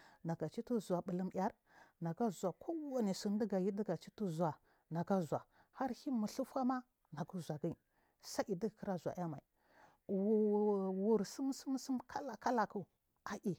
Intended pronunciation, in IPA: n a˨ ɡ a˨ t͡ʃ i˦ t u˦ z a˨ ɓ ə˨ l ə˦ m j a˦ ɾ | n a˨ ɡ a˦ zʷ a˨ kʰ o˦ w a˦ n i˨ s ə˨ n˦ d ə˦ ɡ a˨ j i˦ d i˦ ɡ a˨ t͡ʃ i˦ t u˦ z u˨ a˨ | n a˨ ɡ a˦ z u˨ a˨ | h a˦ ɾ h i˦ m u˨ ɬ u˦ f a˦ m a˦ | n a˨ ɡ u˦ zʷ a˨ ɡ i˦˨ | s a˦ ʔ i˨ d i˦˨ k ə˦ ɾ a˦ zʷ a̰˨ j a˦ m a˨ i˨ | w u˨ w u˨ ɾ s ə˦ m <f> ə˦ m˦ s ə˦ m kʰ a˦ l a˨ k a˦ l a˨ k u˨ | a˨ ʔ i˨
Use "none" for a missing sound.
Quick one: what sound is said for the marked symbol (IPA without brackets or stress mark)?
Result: s